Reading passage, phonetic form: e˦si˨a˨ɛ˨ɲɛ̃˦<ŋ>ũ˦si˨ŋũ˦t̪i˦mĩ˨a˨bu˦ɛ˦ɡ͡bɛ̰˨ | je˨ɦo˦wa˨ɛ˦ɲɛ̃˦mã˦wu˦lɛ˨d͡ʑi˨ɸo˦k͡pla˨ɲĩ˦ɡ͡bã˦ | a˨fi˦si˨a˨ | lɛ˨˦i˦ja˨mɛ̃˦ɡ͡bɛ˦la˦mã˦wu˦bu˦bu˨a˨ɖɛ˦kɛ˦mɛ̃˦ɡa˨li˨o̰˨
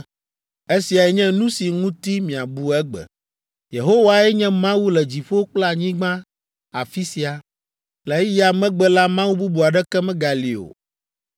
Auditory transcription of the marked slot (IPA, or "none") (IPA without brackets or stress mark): n